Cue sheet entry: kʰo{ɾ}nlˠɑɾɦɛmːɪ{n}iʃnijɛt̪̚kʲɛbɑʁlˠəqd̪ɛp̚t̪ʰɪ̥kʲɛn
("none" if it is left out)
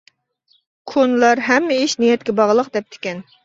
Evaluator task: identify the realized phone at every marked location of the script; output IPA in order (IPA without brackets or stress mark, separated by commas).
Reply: none, none